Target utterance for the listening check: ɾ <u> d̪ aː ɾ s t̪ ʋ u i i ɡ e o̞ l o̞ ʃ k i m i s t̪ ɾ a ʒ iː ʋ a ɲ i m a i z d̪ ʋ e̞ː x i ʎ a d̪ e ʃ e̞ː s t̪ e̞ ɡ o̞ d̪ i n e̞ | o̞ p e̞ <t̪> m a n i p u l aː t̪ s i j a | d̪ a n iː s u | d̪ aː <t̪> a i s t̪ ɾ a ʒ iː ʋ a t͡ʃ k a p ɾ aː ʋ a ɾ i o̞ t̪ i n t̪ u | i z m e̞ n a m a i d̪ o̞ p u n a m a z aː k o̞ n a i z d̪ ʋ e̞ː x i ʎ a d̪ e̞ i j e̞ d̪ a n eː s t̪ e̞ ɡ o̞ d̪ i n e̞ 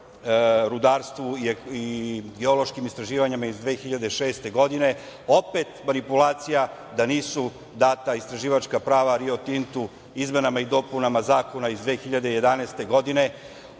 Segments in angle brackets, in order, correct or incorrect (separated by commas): correct, correct, correct